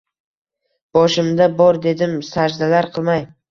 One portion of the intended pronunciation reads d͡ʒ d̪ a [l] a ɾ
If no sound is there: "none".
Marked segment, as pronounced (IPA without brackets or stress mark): l